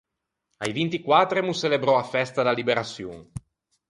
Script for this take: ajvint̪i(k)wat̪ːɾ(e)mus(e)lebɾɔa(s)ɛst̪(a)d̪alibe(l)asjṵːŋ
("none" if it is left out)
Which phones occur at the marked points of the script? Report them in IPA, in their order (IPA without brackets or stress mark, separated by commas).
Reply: k, e, e, f, a, ɾ